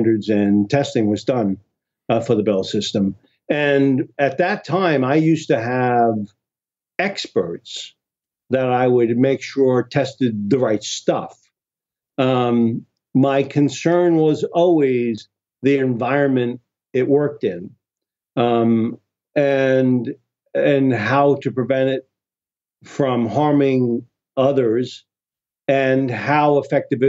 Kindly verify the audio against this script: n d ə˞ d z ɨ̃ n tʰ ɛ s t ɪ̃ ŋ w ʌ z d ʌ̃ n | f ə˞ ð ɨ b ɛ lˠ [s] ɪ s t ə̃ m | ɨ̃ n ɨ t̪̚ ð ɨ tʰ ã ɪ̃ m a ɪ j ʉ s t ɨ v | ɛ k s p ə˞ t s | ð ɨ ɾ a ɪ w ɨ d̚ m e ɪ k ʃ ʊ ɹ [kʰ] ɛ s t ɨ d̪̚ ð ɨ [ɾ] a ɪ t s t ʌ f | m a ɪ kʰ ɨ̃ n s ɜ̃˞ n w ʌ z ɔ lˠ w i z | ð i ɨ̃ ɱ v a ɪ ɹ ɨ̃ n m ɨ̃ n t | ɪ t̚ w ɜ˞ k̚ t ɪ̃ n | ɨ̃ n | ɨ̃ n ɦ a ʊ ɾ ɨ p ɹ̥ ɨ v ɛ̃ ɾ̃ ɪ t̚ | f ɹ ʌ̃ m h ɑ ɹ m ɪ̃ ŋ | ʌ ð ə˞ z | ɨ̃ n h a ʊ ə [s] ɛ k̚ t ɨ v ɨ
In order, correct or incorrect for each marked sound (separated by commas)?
correct, incorrect, incorrect, incorrect